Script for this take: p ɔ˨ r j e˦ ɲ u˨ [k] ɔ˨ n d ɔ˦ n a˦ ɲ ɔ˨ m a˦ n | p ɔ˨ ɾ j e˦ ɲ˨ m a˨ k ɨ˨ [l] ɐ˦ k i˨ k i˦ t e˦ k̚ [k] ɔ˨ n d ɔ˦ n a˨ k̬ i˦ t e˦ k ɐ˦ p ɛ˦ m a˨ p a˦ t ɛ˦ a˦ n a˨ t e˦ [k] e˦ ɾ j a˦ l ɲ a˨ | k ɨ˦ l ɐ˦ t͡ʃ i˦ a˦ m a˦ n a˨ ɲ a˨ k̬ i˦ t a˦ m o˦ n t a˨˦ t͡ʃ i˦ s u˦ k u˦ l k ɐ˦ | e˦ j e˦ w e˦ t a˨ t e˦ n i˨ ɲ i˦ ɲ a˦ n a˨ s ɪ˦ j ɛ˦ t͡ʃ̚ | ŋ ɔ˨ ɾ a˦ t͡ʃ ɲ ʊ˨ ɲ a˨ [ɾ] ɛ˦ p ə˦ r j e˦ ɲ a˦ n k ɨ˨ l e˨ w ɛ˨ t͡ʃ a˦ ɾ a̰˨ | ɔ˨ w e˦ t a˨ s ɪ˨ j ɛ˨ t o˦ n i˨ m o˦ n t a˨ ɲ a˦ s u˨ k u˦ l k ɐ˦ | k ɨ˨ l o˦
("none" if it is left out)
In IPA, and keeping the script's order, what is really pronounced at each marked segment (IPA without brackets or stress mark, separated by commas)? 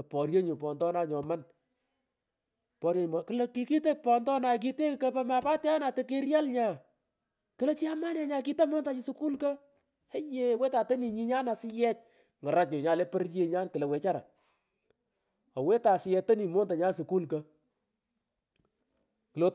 p, l, p, k, l